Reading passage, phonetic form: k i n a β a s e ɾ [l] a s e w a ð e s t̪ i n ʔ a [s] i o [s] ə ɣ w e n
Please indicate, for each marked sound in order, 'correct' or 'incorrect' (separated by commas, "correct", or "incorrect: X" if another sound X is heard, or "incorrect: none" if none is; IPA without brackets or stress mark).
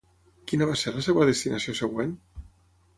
correct, correct, correct